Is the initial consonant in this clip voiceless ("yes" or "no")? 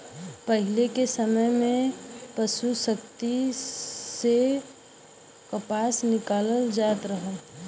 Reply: yes